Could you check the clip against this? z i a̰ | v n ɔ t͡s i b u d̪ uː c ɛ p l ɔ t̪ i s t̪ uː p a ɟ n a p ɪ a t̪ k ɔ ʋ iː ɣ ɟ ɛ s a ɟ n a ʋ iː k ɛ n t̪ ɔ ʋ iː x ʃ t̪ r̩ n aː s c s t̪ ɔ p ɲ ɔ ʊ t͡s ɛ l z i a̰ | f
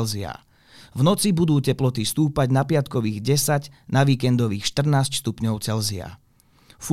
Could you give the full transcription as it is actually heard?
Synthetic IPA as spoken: z i a̰ | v n ɔ t͡s i b u d̪ uː c ɛ p l ɔ t̪ i s t̪ uː p a ɟ n a p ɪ a t̪ k ɔ ʋ iː ɣ ɟ ɛ s a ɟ n a ʋ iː k ɛ n d̪ ɔ ʋ iː x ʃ t̪ r̩ n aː s c s t̪ u p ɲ ɔ ʊ t͡s ɛ l z i a̰ | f